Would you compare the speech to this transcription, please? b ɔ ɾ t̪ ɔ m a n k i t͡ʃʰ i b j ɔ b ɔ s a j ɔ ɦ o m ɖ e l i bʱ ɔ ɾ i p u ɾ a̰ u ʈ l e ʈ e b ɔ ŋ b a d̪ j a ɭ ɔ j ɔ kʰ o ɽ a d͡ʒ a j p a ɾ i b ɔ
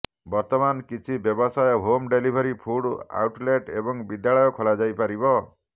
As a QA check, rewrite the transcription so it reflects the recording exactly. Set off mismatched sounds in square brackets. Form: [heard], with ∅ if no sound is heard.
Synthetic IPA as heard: b ɔ ɾ t̪ ɔ m a n k i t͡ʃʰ i b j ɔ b ɔ s a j ɔ ɦ o m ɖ e l i bʱ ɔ ɾ i [pʰ] u [ɽ] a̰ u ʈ l e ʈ e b ɔ ŋ b [i] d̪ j a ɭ ɔ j ɔ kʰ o [l] a d͡ʒ a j p a ɾ i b ɔ